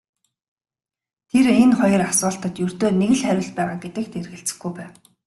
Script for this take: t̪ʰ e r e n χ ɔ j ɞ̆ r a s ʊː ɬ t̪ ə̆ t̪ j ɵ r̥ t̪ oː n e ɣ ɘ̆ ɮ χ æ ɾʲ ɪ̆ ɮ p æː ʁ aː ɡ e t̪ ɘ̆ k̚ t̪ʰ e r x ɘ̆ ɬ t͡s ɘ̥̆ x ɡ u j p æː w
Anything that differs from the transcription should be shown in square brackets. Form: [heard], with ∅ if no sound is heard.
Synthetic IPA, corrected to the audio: t̪ʰ e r e n χ ɔ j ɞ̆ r a s ʊː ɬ t̪ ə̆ t̪ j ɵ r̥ t̪ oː n e ɣ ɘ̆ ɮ χ æ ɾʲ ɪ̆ ɮ p æː ʁ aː ɡ e t̪ ɘ̆ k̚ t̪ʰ e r [ɣ] ɘ̆ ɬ t͡s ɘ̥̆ x ɡ u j p æː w

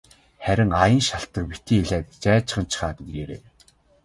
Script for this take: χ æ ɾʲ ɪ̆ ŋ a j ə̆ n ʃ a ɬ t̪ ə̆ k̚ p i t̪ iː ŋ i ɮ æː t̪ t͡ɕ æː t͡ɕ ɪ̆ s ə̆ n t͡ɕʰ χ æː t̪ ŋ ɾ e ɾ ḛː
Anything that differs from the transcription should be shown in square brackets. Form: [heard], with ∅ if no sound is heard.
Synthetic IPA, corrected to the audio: χ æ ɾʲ ɪ̆ ŋ a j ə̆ n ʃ a ɬ t̪ ə̆ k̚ p i t̪ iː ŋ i ɮ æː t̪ t͡ɕ æː t͡ɕ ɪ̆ [χ] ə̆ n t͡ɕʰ χ [aː] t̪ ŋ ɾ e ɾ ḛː

